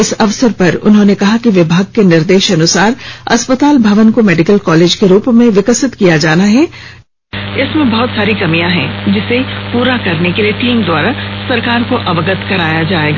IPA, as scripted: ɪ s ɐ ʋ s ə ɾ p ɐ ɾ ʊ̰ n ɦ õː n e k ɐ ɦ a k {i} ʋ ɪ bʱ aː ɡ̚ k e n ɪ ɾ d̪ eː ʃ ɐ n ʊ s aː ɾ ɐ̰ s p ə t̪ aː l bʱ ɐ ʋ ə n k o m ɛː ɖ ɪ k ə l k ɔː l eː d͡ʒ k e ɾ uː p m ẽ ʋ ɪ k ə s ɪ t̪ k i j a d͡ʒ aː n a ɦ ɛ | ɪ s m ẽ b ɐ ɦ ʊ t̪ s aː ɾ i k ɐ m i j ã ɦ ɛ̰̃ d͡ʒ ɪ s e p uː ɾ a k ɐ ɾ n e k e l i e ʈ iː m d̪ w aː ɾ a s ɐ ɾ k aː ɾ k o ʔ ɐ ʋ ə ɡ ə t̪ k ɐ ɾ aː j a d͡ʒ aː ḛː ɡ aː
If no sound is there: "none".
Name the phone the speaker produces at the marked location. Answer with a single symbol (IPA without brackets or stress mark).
i